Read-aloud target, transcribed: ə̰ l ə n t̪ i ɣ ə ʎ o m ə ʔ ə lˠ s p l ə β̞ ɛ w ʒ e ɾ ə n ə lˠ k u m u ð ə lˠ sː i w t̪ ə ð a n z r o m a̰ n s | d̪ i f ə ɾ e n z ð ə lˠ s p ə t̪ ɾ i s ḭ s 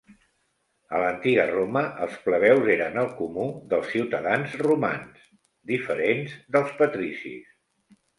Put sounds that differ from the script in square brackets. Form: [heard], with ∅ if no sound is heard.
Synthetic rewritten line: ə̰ l ə n t̪ i ɣ ə [r] o m ə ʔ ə lˠ s p l ə β̞ ɛ w [z] e ɾ ə n ə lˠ k u m u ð ə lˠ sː i w t̪ ə ð a n z r [u] m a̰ n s | d̪ i f ə ɾ e n z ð ə lˠ s p ə t̪ ɾ i s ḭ s